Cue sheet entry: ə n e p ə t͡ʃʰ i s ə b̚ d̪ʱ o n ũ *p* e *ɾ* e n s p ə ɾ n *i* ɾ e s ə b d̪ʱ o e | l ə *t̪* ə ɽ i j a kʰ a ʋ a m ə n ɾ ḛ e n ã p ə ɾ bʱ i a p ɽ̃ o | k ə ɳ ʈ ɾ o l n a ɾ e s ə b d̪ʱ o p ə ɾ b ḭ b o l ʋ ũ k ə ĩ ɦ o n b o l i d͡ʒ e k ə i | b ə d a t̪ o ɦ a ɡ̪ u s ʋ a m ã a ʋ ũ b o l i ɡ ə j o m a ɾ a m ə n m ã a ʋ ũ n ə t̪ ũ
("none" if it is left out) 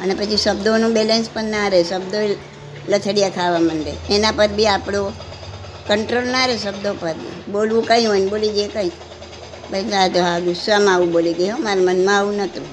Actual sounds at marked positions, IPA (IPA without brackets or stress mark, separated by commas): b, l, a, t̪ʰ